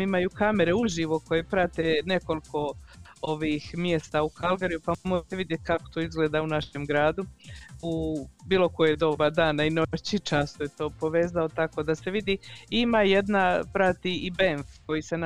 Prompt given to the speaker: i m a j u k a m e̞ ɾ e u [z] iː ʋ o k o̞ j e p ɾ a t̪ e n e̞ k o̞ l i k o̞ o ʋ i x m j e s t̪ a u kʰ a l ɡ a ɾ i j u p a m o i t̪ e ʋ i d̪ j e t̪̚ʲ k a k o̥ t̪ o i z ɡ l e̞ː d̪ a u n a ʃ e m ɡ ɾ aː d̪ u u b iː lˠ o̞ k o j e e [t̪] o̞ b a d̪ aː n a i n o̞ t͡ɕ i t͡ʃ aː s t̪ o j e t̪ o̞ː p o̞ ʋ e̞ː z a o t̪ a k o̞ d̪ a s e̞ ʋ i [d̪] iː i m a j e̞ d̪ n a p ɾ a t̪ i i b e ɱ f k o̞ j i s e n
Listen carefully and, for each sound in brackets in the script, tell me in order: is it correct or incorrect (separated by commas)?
incorrect, incorrect, correct